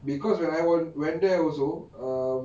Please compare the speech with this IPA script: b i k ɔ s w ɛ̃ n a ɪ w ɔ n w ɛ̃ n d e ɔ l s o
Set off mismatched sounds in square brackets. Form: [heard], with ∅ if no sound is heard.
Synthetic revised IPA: b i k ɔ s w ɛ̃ n a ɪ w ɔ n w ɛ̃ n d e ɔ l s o